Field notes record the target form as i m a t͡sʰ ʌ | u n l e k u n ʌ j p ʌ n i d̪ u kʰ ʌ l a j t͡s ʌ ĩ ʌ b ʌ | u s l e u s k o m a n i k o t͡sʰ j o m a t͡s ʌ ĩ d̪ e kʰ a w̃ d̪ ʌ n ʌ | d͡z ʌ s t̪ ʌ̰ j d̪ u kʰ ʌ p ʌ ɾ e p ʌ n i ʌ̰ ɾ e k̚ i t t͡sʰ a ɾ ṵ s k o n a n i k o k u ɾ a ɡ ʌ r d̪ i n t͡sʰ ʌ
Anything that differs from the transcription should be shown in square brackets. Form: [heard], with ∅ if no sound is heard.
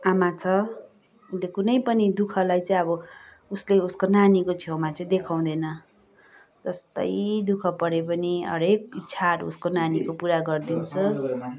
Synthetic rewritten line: [a] m a t͡sʰ ʌ | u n l e k u n ʌ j p ʌ n i d̪ u kʰ ʌ l a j t͡s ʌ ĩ ʌ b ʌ | u s l e u s k o [n] a n i k o t͡sʰ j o m a t͡s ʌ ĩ d̪ e kʰ a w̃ d̪ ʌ n ʌ | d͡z ʌ s t̪ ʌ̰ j d̪ u kʰ ʌ p ʌ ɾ e p ʌ n i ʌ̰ ɾ e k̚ i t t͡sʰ a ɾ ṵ s k o n a n i k o [p] u ɾ a ɡ ʌ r d̪ i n t͡sʰ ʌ